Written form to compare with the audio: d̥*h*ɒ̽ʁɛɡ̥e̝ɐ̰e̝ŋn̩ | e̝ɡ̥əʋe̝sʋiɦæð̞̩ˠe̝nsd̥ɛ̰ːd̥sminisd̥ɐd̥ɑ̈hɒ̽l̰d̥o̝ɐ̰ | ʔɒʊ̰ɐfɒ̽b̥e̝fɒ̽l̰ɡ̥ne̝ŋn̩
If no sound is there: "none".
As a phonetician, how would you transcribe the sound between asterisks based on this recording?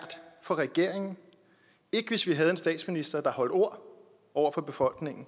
f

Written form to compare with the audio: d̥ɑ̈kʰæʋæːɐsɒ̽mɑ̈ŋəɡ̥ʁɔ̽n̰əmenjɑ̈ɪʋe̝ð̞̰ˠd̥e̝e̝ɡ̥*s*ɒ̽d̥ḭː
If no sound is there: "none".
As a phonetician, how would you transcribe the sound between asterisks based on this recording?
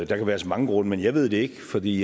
f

